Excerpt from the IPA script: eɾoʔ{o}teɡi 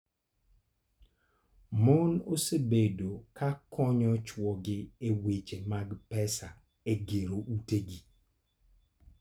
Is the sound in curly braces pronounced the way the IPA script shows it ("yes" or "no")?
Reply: no